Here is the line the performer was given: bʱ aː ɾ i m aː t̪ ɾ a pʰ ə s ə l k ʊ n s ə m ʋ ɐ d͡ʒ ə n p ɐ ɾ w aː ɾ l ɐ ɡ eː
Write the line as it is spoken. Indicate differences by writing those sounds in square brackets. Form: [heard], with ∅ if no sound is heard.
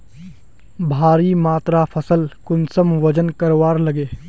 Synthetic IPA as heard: bʱ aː ɾ i m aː t̪ ɾ a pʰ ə s ə l k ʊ n s ə m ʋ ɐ d͡ʒ ə n [k] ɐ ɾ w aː ɾ l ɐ ɡ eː